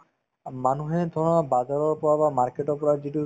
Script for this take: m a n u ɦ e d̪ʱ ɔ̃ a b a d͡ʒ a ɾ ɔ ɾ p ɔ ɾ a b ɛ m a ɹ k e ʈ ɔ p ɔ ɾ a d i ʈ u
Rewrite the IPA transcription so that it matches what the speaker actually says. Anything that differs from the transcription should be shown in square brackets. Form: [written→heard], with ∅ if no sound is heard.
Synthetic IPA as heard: m a n u ɦ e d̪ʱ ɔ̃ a b a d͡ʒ a ɾ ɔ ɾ p ɔ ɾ a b [ɛ→a] m a [ɹ→ɾ] k e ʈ ɔ p ɔ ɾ a [d→d͡ʒ] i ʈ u